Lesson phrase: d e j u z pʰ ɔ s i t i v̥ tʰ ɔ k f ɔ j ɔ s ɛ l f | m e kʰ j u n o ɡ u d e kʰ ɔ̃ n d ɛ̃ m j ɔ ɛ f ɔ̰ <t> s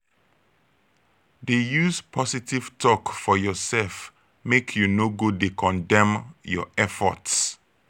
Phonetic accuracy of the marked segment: correct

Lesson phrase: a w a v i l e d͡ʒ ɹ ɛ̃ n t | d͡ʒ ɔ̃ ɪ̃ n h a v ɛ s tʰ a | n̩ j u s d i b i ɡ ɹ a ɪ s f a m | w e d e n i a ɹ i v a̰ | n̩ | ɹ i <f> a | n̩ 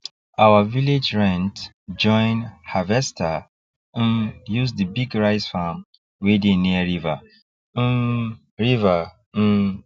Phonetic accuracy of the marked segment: incorrect: v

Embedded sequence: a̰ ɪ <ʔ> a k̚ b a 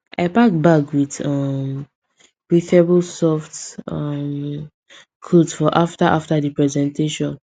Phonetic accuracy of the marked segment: incorrect: p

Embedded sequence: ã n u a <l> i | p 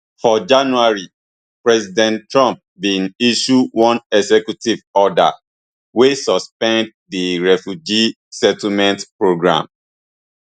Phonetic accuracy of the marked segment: incorrect: ɹ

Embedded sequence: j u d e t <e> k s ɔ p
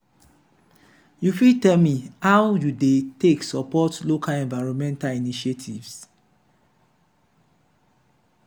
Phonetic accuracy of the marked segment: correct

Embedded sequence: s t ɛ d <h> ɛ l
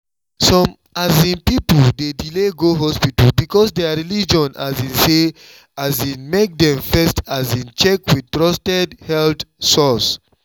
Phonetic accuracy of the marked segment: correct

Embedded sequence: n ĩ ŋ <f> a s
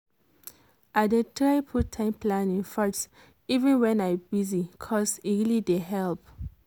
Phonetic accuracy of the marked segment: correct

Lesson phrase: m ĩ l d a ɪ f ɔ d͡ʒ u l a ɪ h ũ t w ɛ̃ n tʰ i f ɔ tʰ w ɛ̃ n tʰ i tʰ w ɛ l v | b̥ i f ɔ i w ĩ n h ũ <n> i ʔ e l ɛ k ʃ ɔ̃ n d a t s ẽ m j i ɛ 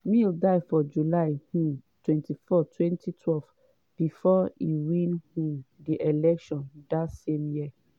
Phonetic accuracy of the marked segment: incorrect: d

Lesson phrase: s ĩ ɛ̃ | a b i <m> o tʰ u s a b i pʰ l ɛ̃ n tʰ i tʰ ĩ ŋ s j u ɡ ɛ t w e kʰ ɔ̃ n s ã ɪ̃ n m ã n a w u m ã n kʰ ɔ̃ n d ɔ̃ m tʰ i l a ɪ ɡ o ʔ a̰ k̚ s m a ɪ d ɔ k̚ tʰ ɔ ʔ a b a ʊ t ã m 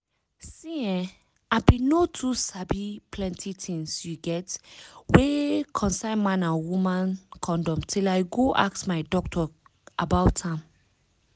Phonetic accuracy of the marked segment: incorrect: n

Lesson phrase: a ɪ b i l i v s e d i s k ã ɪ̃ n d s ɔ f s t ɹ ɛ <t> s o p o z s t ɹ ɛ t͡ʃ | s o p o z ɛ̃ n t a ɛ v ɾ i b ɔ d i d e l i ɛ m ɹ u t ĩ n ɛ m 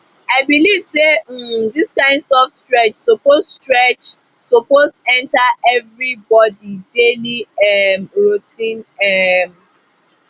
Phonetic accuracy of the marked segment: incorrect: t͡ʃ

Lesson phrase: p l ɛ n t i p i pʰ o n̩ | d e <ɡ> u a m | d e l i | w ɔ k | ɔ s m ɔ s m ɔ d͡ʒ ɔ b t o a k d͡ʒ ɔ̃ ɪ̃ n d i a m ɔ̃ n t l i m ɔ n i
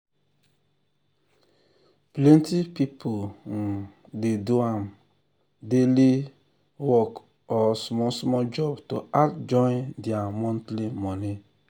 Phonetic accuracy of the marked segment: incorrect: d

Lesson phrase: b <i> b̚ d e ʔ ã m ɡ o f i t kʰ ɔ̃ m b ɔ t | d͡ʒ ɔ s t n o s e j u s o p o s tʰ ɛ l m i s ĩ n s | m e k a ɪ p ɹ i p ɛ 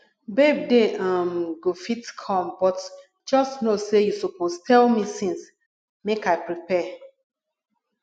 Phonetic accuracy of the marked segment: incorrect: e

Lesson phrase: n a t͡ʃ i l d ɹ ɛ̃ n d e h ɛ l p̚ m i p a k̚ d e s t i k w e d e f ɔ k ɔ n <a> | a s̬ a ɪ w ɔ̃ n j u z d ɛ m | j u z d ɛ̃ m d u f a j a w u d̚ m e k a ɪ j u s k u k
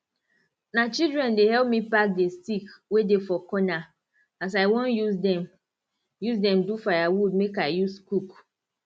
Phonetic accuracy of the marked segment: correct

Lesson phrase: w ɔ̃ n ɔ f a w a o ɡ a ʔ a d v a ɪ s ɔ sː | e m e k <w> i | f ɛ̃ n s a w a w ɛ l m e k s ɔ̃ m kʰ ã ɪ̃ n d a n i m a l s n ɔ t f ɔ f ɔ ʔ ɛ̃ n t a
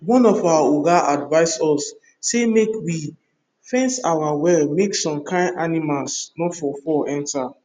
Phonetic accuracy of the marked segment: correct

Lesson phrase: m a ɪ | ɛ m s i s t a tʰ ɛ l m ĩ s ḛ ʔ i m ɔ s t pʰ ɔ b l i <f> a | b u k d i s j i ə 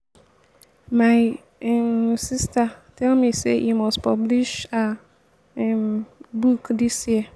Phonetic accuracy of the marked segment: incorrect: ʃ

